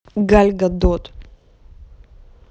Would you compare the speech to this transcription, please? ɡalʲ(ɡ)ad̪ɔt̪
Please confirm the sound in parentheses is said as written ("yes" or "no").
yes